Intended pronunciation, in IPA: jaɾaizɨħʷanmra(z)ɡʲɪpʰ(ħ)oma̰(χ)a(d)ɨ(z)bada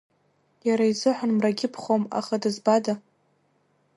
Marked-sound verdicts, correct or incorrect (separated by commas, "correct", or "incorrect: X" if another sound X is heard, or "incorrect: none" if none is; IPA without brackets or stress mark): incorrect: none, incorrect: χ, correct, correct, correct